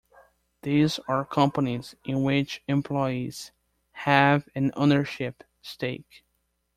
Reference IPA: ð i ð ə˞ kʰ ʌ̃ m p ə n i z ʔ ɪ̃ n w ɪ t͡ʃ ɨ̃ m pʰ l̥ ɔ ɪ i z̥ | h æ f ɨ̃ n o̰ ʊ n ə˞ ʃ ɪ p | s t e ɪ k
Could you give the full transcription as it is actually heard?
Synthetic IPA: ð i z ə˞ kʰ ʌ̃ m p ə n i z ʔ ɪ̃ n w ɪ t͡ʃ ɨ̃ m pʰ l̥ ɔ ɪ i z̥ | h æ v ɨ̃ n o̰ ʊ n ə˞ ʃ ɪ p | s t e ɪ k

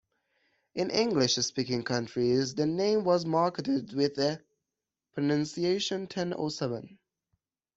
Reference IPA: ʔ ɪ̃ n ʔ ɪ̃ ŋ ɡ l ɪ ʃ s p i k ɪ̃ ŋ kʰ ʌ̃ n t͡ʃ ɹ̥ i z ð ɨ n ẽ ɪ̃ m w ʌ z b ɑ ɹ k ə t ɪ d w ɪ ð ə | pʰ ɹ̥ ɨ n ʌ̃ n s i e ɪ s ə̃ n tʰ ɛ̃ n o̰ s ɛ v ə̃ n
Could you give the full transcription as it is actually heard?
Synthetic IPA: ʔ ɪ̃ n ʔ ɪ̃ ŋ ɡ l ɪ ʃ s p i k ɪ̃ ŋ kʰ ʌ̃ n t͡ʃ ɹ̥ i z ð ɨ n ẽ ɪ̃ m w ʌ z m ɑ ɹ k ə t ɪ d w ɪ ð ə | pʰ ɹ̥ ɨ n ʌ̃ n s i e ɪ ʃ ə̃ n tʰ ɛ̃ n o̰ s ɛ v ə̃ n

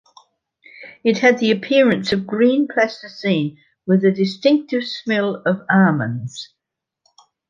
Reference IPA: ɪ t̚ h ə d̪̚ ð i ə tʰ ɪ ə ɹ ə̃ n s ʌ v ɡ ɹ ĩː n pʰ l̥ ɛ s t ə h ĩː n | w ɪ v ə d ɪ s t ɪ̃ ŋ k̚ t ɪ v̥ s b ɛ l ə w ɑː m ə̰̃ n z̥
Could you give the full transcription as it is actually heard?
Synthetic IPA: ɪ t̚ h ə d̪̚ ð i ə pʰ ɪ ə ɹ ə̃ n s ə v ɡ ɹ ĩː n pʰ l̥ ɛ s t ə s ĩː n | w ɪ ð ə d ɪ s t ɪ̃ ŋ k̚ t ɪ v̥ s m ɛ l ə v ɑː m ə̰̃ n z̥

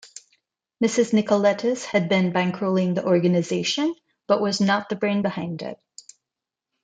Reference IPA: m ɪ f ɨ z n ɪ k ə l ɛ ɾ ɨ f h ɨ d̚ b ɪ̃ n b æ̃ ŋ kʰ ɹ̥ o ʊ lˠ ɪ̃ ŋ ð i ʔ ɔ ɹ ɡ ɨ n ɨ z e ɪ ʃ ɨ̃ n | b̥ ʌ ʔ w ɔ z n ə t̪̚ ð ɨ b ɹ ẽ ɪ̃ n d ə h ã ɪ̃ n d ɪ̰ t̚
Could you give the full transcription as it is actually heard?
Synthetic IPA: m ɪ s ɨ z n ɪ k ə l ɛ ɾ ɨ s h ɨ d̚ b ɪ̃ n b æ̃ ŋ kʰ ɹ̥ o ʊ lˠ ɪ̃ ŋ ð i ʔ ɔ ɹ ɡ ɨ n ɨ z e ɪ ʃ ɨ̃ n | b̥ ʌ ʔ w ʌ z n ə t̪̚ ð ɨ b ɹ ẽ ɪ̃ n b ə h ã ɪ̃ n d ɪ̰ t̚

